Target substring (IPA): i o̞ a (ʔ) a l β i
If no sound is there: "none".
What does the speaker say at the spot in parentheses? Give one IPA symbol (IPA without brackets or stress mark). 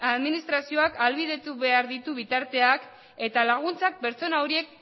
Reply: k